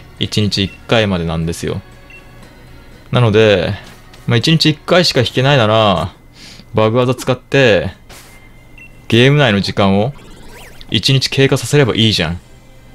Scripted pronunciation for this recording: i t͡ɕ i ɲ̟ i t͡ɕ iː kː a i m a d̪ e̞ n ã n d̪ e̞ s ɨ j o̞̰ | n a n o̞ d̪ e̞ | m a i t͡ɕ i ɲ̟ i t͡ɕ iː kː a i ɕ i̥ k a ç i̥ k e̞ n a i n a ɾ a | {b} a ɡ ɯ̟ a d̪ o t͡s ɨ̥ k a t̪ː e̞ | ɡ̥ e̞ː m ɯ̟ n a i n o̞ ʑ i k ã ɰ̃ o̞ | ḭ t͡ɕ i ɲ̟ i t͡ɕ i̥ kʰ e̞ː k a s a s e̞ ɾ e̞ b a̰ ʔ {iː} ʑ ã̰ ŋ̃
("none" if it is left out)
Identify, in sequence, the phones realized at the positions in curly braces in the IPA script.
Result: b, iː

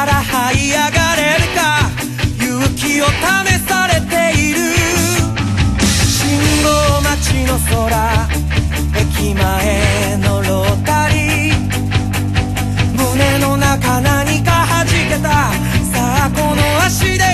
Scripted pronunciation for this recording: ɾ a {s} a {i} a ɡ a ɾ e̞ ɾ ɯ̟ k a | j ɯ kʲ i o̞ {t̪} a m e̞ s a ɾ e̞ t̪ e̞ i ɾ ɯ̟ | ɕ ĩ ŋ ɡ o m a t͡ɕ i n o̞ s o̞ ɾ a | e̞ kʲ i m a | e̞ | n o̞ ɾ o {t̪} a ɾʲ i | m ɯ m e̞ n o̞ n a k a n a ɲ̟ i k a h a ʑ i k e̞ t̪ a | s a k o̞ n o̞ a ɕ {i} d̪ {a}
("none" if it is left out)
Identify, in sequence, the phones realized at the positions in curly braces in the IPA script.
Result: h, i, t̪, t̪, i, e

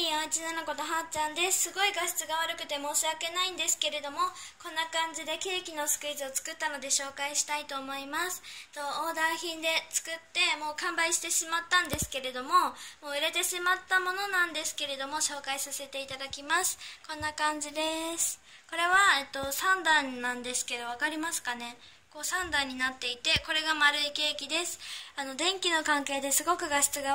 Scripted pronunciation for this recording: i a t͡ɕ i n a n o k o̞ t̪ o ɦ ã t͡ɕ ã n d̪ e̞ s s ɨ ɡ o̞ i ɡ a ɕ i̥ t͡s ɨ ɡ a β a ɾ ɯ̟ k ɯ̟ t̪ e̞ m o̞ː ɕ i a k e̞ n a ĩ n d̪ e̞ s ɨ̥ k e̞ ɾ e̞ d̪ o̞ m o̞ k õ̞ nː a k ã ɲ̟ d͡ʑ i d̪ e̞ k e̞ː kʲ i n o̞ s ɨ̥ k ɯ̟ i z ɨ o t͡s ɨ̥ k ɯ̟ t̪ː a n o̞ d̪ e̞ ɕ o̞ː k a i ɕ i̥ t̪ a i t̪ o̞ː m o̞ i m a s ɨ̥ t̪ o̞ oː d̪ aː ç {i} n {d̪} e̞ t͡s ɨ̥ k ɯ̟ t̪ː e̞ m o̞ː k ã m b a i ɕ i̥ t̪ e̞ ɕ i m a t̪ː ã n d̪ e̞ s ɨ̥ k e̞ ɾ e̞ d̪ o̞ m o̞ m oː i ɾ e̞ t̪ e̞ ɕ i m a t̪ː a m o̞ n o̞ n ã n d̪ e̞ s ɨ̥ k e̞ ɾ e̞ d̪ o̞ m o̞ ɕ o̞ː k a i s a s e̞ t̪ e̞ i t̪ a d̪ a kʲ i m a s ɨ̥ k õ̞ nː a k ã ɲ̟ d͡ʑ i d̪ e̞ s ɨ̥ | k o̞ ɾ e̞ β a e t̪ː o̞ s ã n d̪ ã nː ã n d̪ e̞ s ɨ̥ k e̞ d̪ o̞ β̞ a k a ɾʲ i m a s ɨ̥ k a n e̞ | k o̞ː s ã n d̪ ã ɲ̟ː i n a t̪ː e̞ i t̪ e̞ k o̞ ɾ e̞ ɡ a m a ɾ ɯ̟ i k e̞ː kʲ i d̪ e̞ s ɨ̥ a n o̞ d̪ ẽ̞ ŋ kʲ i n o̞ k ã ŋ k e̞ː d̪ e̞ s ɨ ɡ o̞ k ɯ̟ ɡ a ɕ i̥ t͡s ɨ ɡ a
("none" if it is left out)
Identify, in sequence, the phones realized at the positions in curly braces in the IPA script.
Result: ĩ, d̪

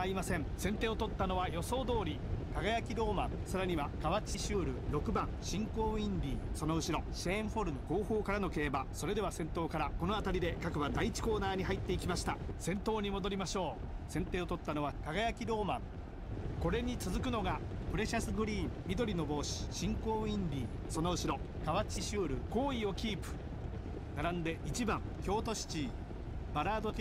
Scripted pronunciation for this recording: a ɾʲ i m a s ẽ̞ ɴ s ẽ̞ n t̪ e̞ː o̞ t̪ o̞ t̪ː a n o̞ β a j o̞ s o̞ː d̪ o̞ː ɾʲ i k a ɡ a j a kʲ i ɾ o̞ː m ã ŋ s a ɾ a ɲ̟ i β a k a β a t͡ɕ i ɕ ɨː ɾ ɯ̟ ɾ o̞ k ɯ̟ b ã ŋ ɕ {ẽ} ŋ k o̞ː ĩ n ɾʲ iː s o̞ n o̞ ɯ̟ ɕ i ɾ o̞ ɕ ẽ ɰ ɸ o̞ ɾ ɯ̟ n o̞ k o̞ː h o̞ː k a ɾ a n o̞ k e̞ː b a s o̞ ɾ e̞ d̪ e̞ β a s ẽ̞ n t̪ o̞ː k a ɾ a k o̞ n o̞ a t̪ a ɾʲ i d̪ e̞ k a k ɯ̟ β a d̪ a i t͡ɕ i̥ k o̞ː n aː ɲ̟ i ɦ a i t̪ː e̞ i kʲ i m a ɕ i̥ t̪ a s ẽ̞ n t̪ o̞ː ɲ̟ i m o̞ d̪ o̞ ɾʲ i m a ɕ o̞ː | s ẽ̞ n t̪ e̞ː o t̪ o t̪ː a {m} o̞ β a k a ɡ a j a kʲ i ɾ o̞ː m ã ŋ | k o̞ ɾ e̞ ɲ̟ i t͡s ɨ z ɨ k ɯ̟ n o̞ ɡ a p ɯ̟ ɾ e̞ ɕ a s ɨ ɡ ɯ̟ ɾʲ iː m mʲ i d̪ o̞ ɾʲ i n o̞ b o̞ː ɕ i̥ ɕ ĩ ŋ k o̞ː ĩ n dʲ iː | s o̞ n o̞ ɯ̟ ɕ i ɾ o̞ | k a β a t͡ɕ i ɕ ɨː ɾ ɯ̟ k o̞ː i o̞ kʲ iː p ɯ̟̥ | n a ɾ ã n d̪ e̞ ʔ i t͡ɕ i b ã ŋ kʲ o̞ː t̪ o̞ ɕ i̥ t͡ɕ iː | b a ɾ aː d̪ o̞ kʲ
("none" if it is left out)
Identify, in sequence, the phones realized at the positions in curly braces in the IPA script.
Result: ĩ, n

